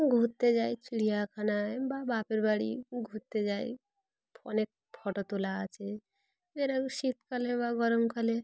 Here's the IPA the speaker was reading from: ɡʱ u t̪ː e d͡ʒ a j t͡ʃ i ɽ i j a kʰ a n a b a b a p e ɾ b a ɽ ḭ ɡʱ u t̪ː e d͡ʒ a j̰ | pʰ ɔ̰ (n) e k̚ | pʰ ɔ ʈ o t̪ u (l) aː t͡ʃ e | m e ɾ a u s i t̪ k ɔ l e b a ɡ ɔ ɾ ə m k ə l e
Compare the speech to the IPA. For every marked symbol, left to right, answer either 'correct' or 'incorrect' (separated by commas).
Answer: correct, correct